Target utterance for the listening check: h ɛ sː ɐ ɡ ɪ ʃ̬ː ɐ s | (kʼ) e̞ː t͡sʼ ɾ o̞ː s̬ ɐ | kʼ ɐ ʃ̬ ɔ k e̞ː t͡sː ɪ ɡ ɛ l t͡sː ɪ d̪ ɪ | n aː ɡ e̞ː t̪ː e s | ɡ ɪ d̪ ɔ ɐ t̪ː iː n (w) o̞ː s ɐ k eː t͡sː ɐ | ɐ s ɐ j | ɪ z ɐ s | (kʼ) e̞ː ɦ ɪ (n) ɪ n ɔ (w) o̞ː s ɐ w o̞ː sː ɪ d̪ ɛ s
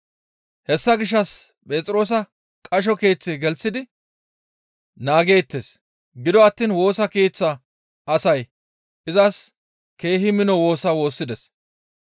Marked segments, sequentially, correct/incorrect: incorrect: pʼ, correct, incorrect: k, incorrect: m, correct

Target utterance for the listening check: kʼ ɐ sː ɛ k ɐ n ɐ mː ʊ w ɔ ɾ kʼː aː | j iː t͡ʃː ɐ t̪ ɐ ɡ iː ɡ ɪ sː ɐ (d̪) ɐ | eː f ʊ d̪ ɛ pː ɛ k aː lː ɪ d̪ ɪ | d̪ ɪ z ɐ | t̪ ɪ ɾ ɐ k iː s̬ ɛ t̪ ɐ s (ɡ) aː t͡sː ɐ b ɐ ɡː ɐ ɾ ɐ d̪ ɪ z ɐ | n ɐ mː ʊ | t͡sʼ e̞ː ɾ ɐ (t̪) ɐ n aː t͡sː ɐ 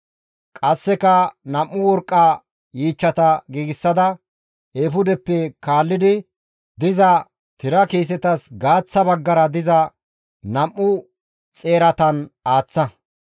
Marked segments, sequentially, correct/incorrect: correct, correct, correct

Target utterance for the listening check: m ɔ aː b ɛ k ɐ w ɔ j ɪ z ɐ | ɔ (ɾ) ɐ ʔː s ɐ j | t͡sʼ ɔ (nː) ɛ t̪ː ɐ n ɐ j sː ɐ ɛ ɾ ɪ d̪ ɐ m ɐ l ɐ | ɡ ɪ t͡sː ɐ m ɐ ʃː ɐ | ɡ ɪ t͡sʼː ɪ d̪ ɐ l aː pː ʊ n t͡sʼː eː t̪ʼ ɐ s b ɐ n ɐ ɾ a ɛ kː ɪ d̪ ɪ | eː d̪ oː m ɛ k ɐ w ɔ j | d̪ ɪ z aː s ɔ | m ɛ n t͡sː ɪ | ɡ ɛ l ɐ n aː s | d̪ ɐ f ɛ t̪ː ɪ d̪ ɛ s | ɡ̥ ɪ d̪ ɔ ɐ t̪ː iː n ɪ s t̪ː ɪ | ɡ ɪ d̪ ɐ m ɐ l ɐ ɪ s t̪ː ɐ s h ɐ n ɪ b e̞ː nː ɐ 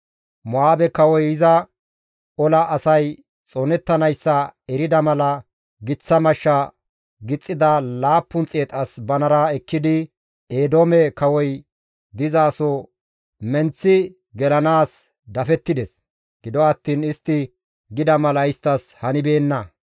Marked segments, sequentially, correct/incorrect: incorrect: l, incorrect: n

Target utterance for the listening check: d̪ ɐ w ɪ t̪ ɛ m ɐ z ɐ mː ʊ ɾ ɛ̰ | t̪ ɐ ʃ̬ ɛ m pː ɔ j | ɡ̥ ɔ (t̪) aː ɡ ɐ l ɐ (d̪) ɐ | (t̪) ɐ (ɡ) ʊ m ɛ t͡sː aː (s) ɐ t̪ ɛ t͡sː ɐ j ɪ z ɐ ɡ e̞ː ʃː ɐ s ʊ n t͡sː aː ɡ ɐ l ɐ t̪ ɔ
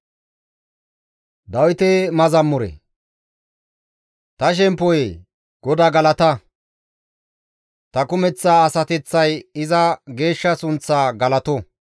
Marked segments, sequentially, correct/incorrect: incorrect: d̪, incorrect: t̪, correct, incorrect: k, correct

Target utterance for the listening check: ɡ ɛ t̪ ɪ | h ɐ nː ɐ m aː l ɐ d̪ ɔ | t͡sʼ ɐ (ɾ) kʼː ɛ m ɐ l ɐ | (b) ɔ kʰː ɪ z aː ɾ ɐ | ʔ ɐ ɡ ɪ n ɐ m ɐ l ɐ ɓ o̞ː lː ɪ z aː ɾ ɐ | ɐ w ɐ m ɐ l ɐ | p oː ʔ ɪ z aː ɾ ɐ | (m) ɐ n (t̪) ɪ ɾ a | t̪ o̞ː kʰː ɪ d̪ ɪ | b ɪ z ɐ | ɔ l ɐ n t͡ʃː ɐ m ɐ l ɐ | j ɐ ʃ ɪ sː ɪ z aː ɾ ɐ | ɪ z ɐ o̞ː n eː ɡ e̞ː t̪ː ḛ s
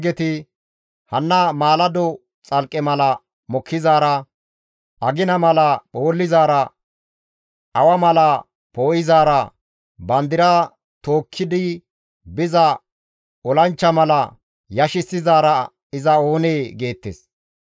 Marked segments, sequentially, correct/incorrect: incorrect: l, incorrect: m, incorrect: b, incorrect: d̪

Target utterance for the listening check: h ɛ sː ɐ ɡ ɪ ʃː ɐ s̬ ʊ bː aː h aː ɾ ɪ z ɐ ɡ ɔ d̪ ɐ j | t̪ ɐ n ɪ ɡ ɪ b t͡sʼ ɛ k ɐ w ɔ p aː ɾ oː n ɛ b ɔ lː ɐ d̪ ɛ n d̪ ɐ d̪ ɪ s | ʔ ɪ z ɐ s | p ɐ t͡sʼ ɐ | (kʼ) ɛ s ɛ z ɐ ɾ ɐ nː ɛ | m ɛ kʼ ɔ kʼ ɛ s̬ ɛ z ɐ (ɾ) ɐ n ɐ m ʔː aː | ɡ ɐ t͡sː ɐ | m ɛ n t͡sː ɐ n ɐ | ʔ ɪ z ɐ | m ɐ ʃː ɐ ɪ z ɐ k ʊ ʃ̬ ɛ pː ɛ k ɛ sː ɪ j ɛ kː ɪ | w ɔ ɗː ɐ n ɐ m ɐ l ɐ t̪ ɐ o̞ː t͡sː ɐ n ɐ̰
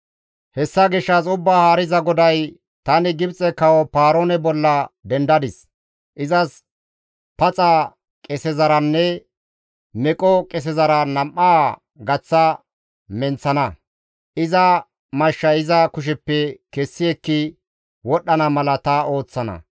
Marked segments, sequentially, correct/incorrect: correct, correct

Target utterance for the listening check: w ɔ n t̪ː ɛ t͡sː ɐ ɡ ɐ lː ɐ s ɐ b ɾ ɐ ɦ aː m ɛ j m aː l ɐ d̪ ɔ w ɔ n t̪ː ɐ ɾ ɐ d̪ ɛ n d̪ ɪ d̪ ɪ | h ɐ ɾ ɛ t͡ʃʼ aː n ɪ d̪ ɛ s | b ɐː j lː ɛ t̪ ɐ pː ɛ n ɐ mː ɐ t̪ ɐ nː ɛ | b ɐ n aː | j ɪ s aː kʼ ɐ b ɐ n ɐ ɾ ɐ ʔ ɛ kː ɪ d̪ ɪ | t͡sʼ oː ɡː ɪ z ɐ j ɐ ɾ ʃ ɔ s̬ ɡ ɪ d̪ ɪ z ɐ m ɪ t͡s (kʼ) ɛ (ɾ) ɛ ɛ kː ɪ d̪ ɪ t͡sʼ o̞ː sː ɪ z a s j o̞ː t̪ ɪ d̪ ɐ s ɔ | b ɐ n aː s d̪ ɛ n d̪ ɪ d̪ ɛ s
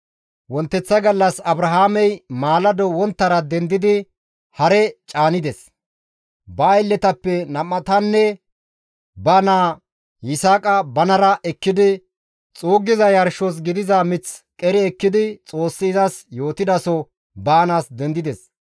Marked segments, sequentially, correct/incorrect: correct, correct

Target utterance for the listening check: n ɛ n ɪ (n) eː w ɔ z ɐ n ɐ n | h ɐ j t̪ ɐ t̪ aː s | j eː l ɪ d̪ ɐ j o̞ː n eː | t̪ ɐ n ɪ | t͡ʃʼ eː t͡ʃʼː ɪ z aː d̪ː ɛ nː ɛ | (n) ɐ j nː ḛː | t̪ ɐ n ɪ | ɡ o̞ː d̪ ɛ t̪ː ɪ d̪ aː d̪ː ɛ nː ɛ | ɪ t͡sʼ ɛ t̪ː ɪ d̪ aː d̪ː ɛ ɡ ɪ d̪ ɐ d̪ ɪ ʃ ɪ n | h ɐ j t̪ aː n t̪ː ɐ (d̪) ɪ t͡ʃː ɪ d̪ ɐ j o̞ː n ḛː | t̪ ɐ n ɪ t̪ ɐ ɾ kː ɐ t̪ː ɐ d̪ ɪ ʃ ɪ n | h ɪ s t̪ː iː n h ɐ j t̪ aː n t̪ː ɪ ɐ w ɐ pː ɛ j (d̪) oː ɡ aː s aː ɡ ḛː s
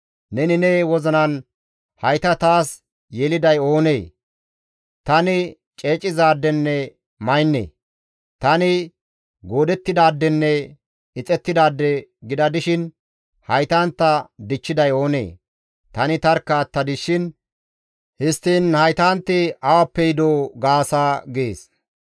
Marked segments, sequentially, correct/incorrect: correct, incorrect: m, correct, correct

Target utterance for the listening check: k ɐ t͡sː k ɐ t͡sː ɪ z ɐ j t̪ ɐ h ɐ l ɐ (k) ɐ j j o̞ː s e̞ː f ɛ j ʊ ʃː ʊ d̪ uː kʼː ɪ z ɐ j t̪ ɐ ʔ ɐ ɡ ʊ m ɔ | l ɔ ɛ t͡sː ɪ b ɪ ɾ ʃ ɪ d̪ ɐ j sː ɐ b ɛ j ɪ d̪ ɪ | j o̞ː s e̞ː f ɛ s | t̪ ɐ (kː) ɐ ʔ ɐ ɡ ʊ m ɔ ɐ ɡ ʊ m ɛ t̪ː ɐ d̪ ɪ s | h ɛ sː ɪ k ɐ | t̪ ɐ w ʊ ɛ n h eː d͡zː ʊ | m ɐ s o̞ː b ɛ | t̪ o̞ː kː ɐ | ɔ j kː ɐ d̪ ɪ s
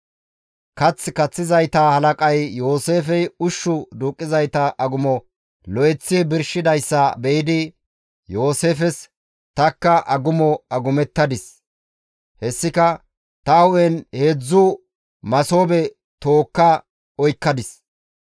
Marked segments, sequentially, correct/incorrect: incorrect: kʼ, correct

